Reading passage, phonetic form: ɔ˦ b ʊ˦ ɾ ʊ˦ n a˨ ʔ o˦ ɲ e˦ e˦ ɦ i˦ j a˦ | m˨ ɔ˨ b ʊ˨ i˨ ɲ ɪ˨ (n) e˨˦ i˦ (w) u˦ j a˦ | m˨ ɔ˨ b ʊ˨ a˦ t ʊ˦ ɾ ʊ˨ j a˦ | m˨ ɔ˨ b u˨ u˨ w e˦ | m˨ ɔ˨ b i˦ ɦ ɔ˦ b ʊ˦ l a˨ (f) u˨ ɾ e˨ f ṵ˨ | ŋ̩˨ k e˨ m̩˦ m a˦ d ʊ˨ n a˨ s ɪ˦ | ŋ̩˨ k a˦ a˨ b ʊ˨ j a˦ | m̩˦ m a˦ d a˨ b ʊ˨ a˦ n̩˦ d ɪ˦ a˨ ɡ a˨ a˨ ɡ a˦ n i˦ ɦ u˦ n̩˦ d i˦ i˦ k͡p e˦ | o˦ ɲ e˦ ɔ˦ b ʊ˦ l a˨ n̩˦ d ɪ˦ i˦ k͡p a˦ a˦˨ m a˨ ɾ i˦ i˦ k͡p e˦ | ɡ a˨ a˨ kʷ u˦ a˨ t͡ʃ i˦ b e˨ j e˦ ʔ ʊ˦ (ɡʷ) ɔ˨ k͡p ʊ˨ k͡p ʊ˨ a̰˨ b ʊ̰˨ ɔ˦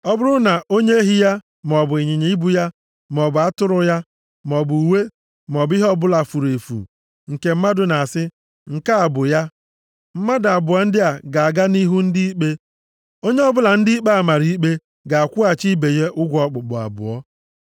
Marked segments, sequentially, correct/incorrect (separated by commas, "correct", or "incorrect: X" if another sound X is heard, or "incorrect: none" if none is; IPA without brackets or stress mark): incorrect: ɲ, incorrect: b, correct, correct